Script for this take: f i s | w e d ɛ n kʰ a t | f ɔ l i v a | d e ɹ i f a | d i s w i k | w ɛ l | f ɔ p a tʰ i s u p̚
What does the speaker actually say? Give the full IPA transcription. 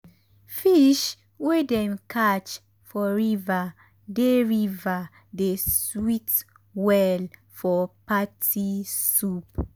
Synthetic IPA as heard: f i ʃ | w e d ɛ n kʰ a t͡ʃ | f ɔ ɹ i v a | d e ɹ i v a | d e s w i t | w ɛ l | f ɔ p a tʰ i s u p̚

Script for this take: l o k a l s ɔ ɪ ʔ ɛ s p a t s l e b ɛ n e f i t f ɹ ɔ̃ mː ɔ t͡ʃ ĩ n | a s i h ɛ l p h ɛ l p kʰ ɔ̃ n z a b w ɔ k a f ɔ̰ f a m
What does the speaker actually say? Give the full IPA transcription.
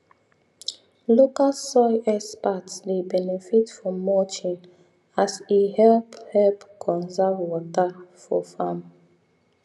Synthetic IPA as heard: l o k a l s ɔ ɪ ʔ ɛ s p a t s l e b ɛ n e f i t f ɹ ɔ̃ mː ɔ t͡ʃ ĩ n | a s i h ɛ l p h ɛ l p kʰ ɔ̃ n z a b w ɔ t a f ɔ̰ f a m

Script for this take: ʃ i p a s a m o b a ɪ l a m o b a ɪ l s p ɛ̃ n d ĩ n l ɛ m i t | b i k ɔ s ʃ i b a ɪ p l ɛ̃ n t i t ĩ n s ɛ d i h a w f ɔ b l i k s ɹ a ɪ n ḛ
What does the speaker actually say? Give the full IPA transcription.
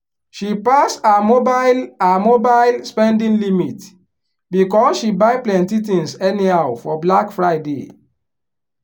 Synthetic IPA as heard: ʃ i p a s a m o b a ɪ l a m o b a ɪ l s p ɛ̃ n d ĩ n l i m i t | b i k ɔ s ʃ i b a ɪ p l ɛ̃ n t i t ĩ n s ɛ n i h a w f ɔ b l a k f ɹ a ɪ d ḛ

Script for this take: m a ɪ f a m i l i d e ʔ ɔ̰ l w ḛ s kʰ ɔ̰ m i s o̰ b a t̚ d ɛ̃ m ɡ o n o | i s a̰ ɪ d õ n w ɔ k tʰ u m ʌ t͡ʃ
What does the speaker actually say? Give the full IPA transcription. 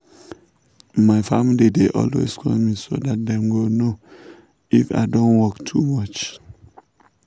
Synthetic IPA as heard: m a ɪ f a m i l i d e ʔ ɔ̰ l w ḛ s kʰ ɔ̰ m i s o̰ d a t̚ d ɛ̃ m ɡ o n o | i f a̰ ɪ d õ n w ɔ k tʰ u m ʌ t͡ʃ

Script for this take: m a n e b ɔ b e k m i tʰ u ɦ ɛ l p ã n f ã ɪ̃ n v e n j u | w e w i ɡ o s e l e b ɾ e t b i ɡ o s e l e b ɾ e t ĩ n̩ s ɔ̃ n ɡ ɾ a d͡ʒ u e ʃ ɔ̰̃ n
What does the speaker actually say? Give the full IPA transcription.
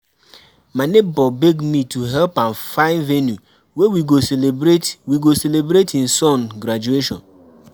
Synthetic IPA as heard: m a n e b ɔ b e ɡ m i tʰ u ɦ ɛ l p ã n f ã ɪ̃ n v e n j u | w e w i ɡ o s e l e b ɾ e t w i ɡ o s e l e b ɾ e t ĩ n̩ s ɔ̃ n ɡ ɾ a d͡ʒ u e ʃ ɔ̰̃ n

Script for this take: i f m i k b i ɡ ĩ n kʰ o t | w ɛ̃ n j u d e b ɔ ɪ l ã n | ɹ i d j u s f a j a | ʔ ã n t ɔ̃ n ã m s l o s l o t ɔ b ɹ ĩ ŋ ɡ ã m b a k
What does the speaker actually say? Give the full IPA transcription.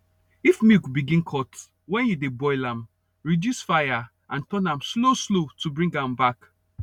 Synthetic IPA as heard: i f m i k b i ɡ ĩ n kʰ ɔ t | w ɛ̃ n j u d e b ɔ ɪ l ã m | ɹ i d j u s f a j a | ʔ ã n t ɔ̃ n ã m s l o s l o t u b ɹ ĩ ŋ ɡ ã m b a k

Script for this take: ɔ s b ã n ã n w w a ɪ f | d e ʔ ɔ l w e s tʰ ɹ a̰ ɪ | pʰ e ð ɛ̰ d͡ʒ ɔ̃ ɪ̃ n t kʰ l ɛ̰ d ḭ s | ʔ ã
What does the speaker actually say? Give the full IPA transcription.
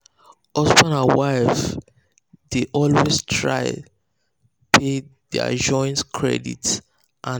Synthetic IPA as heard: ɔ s b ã n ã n w w a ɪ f | d e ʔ ɔ l w e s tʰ ɹ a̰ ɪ | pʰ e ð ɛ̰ d͡ʒ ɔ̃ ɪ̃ n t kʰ ɹ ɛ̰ d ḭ t | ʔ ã

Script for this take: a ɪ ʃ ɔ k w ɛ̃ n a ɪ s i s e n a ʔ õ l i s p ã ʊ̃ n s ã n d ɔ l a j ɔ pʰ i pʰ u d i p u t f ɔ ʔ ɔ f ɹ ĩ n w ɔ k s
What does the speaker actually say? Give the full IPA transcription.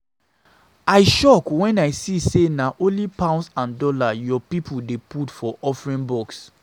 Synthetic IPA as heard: a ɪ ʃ ɔ k w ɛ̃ n a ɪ s i s e n a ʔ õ l i p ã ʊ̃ n s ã n d ɔ l a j ɔ p i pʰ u d e p u t f ɔ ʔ ɔ f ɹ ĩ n b ɔ k s

